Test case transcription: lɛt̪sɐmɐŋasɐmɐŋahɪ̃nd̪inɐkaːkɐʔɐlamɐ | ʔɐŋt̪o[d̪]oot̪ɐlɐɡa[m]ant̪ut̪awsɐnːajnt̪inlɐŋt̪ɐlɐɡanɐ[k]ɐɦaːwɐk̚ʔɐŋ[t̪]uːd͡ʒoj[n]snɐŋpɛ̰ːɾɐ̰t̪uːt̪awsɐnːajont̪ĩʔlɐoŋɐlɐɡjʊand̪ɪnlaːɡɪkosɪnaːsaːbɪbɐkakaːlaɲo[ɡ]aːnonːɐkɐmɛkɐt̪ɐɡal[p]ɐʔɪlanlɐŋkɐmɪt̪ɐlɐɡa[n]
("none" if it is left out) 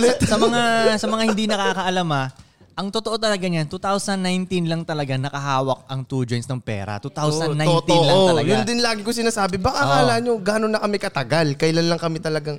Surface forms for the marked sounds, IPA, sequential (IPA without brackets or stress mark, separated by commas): t̪, ɲ, k, t̪, n, ɡ, k, ŋ